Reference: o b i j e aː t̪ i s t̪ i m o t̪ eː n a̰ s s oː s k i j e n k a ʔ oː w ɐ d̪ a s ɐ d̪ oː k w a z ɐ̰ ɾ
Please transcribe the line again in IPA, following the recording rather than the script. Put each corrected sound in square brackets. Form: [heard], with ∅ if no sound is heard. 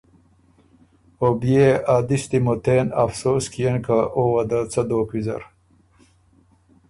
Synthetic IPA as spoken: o b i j e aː [d̪] i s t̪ i m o t̪ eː n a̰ [f] s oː s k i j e n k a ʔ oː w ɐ d̪ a [t͡s] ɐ d̪ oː k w [i] z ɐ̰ ɾ

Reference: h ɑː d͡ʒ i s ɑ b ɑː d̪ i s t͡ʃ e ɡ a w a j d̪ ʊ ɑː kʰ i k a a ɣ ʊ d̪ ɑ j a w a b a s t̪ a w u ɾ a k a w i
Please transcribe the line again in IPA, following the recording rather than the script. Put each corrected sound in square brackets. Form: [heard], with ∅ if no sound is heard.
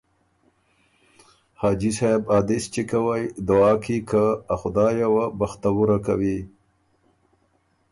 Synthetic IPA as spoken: h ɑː d͡ʒ i s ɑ b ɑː d̪ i s t͡ʃ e [k] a w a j d̪ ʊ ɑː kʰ i k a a [x] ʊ d̪ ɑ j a w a b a [x] t̪ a w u ɾ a k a w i

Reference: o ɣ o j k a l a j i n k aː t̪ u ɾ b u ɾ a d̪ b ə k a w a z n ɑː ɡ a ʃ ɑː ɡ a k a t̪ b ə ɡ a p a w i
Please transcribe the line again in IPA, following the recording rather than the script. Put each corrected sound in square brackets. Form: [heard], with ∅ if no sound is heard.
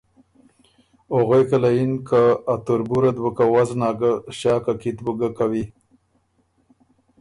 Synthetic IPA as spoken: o ɣ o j k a l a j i n k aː t̪ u ɾ b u ɾ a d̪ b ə k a w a z n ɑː ɡ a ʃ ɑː [k] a k [i] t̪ b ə ɡ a [k] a w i

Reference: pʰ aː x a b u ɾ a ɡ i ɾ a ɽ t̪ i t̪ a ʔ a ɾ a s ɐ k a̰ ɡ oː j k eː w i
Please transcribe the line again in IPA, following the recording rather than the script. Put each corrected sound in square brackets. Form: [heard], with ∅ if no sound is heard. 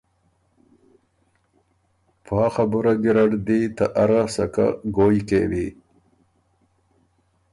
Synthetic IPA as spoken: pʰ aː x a b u ɾ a ɡ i ɾ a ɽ [d̪] i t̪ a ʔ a ɾ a s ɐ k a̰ ɡ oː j k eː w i

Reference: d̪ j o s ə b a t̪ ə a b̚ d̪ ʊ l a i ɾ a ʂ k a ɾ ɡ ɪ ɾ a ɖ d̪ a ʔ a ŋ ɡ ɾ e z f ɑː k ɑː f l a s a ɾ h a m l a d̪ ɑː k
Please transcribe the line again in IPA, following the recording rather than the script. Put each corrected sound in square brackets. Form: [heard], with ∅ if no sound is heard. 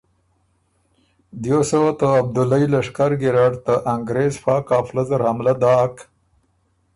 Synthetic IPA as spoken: d̪ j o s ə [w] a t̪ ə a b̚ d̪ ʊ l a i [l] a ʂ k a ɾ ɡ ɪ ɾ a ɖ [t̪] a ʔ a ŋ ɡ ɾ e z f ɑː k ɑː f l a [z] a ɾ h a m l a d̪ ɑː k

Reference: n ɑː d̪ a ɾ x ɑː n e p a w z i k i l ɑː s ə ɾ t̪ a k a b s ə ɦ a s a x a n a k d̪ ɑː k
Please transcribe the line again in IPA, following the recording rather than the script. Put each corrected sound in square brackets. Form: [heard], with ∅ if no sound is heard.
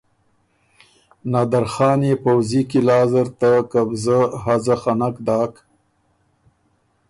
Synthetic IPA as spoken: n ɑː d̪ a ɾ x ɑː n e p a w z i k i l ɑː [z] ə ɾ t̪ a k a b [z] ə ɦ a [z] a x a n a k d̪ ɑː k

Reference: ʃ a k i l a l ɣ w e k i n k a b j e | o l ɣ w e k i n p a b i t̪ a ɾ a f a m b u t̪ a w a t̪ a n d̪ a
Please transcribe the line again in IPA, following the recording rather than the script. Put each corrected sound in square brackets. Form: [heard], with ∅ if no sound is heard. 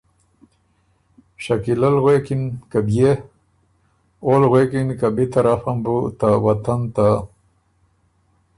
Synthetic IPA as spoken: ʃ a k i l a l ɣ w e k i n k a b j e | o l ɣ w e k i n [k] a b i t̪ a ɾ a f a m b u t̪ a w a t̪ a n [t̪] a

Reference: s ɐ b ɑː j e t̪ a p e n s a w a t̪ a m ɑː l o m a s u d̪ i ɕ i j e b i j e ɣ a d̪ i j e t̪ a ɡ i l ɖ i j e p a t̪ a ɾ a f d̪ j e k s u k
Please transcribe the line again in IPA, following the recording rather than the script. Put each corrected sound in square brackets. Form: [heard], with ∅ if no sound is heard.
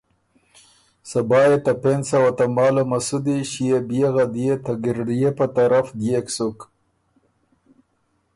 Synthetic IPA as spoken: s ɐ b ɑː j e t̪ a p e n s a w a t̪ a m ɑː l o m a s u d̪ i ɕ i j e b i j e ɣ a d̪ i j e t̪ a ɡ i [ɾ] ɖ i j e p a t̪ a ɾ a f d̪ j e k s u k

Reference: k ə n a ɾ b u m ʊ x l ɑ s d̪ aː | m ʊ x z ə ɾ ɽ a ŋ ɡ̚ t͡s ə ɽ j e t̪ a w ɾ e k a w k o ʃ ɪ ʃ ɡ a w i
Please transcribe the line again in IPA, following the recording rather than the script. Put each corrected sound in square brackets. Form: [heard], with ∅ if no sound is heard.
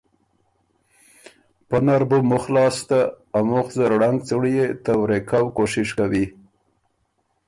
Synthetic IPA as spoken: [p] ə n a ɾ b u m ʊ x l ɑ s [t̪] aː | m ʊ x z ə ɾ ɽ a ŋ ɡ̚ t͡s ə ɽ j e t̪ a w ɾ e k a w k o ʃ ɪ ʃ [k] a w i

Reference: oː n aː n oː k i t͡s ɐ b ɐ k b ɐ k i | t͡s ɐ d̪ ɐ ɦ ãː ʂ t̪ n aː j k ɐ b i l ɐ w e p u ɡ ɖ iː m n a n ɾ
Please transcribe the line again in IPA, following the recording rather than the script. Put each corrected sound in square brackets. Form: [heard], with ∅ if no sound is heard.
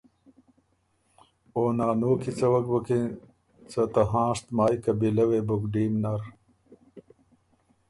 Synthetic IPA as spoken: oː n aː n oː k i t͡s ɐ [w] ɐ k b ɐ k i | t͡s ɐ [t̪] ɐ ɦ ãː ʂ t̪ [m] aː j k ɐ b i l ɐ w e [b] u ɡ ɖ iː m n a [∅] ɾ

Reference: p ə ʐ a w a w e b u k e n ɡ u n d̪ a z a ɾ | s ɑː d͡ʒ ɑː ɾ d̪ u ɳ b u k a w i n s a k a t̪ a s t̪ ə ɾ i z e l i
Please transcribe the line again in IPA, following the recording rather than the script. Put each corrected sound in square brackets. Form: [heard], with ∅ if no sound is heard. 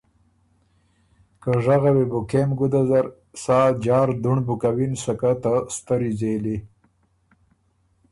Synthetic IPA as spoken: [k] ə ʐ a [ɣ] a w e b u k e [m] ɡ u [∅] d̪ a z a ɾ | s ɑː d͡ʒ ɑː ɾ d̪ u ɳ b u k a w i n s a k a t̪ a s t̪ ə ɾ i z e l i

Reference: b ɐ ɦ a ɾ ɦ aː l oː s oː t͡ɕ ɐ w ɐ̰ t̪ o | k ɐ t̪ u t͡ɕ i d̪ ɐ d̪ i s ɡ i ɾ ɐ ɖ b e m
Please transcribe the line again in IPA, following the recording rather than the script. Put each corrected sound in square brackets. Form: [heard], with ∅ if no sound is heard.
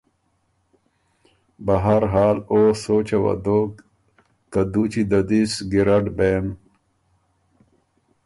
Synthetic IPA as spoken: b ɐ ɦ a ɾ ɦ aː l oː s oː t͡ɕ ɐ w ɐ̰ [d̪] o | k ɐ [d̪] u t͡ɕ i d̪ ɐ d̪ i s ɡ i ɾ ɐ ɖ b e m

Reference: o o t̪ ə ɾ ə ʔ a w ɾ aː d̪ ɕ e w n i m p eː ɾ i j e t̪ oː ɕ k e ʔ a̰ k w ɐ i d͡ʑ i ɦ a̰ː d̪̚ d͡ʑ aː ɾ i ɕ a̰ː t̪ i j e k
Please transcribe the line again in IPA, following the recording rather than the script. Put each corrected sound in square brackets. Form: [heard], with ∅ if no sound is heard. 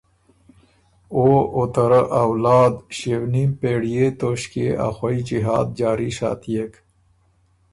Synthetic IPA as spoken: o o t̪ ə ɾ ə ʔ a w [l] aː d̪ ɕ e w n i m p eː [ɽ] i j e t̪ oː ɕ k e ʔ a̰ [x] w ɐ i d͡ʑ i ɦ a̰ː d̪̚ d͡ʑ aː ɾ i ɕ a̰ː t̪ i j e k

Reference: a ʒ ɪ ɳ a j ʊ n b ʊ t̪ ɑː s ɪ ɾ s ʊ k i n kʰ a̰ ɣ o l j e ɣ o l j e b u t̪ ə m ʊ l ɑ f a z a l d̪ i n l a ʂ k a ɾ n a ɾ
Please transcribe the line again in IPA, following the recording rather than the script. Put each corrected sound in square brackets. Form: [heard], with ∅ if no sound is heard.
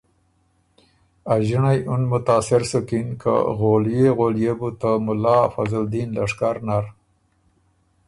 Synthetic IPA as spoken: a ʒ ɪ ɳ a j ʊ n [m] ʊ t̪ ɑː s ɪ ɾ s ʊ k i n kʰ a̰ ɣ o l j e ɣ o l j e b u t̪ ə m ʊ l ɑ f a z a l d̪ i n l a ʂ k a ɾ n a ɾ

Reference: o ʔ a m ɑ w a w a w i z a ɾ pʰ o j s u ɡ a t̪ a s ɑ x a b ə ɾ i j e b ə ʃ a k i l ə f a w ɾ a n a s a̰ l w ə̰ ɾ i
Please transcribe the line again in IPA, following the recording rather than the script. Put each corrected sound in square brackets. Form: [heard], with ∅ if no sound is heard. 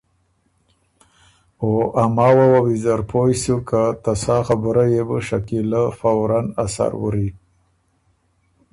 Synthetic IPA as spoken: o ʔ a m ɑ w a w a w i z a ɾ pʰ o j s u [k] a t̪ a s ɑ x a b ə ɾ [a] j e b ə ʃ a k i l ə f a w ɾ a n a s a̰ [ɾ] w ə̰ ɾ i

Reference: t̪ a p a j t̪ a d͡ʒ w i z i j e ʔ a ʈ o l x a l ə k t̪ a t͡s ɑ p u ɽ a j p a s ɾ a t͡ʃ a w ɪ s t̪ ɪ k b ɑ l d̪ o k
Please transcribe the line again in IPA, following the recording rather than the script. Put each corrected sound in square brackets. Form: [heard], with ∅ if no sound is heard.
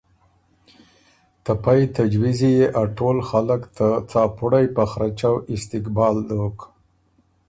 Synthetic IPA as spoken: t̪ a p a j t̪ a d͡ʒ w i z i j e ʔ a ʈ o l x a l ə k t̪ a t͡s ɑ p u ɽ a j p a [x] ɾ a t͡ʃ a w ɪ s t̪ ɪ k b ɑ l d̪ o k

